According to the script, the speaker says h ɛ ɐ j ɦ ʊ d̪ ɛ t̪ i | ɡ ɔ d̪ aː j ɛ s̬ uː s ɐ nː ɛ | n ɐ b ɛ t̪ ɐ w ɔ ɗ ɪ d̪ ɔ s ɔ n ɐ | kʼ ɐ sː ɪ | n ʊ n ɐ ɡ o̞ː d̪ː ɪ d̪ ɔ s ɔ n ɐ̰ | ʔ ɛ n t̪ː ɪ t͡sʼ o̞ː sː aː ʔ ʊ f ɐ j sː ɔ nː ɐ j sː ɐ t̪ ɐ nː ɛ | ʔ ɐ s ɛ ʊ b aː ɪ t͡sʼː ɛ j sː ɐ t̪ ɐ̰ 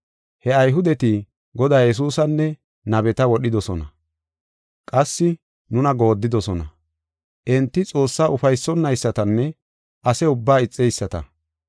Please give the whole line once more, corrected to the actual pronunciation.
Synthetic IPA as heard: h ɛ ɐ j ɦ ʊ d̪ ɛ t̪ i | ɡ ɔ d̪ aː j ɛ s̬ uː s ɐ nː ɛ | n ɐ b ɛ t̪ ɐ w ɔ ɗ ɪ d̪ ɔ s ɔ n ɐ | kʼ ɐ sː ɪ | n ʊ n ɐ ɡ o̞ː d̪ː ɪ d̪ ɔ s ɔ n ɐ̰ | ʔ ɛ n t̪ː ɪ t͡sʼ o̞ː sː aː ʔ ʊ f ɐ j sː ɔ nː ɐ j sː ɐ t̪ ɐ nː ɛ | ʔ ɐ s ɛ ʊ bː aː ɪ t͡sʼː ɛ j sː ɐ t̪ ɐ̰